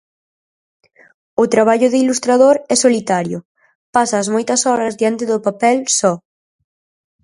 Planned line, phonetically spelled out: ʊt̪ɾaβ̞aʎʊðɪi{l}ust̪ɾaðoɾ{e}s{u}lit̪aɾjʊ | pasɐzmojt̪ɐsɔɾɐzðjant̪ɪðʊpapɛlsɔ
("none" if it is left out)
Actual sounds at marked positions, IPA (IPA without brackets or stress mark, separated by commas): l, ɛ, o